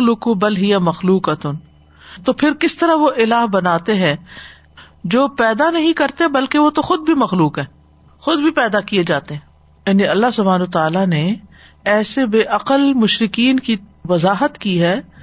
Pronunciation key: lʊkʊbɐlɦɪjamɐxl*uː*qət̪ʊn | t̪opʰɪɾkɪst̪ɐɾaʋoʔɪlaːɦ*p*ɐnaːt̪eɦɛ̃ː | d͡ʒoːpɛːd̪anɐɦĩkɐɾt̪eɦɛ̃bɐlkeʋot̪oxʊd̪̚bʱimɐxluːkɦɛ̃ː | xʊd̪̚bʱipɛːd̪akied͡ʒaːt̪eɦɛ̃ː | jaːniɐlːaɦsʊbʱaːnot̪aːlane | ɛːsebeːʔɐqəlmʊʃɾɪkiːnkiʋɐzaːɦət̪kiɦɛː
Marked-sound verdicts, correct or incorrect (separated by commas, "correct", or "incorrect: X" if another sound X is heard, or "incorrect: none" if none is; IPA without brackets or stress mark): correct, incorrect: b